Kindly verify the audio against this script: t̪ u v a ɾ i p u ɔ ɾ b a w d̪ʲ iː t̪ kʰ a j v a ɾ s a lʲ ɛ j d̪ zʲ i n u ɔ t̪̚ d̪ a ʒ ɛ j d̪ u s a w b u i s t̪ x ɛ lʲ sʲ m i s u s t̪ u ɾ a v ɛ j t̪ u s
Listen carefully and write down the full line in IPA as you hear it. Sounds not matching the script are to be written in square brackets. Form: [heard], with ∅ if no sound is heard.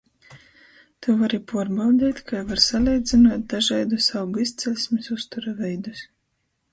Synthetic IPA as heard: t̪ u v a ɾ i p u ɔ ɾ b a w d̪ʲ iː t̪ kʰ a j v a ɾ s a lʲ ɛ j d̪ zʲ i n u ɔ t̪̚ d̪ a ʒ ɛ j d̪ u s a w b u i s t̪ [s] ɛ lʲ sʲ m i s u s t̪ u ɾ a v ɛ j [d̪] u s